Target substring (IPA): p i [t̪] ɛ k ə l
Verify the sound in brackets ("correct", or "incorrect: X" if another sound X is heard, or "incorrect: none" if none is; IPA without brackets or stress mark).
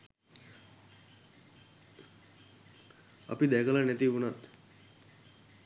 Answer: incorrect: d̪